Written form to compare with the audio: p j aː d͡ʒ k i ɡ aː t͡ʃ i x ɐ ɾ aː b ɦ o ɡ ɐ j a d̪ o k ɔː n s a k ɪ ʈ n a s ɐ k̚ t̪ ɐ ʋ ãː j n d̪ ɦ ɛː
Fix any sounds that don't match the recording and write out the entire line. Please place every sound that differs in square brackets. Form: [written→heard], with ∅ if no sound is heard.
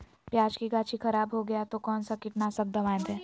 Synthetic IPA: p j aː d͡ʒ k i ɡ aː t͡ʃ i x ɐ ɾ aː b ɦ o ɡ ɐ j a [d̪→t̪] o k ɔː n s a k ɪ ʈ n a s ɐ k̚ [t̪→d̪] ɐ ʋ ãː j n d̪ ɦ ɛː